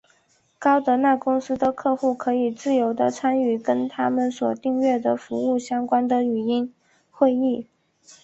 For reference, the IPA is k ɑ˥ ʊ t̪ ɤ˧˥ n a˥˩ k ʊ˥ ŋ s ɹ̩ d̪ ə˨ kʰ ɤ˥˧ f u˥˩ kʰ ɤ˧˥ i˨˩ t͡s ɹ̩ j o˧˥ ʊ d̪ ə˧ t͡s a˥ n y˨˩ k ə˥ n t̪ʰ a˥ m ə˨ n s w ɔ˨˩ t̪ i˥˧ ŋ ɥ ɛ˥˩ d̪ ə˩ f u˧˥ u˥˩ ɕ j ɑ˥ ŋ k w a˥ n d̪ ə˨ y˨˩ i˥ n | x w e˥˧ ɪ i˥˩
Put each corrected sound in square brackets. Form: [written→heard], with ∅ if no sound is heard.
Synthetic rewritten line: k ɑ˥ ʊ t̪ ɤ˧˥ n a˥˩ k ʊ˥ ŋ s ɹ̩ d̪ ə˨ kʰ ɤ˥˧ [f→x] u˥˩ kʰ ɤ˧˥ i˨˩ t͡s ɹ̩ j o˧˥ ʊ d̪ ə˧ [t͡s→t͡sʰ] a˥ n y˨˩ k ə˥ n t̪ʰ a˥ m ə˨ n s w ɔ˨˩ t̪ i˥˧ ŋ ɥ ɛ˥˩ d̪ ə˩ f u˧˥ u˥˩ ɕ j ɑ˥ ŋ k w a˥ n d̪ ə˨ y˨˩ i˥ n | x w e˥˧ ɪ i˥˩